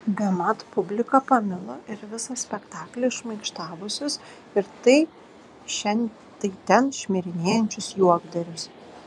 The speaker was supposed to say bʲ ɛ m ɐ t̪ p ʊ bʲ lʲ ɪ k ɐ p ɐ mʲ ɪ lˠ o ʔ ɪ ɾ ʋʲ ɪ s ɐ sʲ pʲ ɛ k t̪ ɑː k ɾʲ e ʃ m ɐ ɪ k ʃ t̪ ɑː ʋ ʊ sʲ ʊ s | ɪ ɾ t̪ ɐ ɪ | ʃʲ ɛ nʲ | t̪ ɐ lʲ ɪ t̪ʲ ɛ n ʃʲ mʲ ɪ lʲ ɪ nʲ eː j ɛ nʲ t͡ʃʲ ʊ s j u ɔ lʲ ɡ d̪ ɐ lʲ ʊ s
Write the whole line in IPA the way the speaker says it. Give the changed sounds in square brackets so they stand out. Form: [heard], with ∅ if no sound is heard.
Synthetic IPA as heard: bʲ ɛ m ɐ t̪ p ʊ bʲ lʲ ɪ k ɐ p ɐ mʲ ɪ lˠ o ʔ ɪ ɾ ʋʲ ɪ s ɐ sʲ pʲ ɛ k t̪ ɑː k [lʲ] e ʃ m ɐ ɪ k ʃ t̪ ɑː ʋ ʊ sʲ ʊ s | ɪ ɾ t̪ ɐ ɪ | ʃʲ ɛ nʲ | t̪ ɐ [∅] ɪ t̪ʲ ɛ n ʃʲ mʲ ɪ [ɾʲ] ɪ nʲ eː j ɛ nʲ t͡ʃʲ ʊ s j u ɔ [∅] ɡ d̪ ɐ [ɾʲ] ʊ s